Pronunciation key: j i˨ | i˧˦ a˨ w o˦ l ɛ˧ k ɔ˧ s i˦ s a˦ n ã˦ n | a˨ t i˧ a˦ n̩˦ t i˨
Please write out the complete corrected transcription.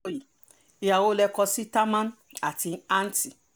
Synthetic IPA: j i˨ | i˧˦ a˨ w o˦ l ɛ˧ k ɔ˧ s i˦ t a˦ m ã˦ n | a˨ t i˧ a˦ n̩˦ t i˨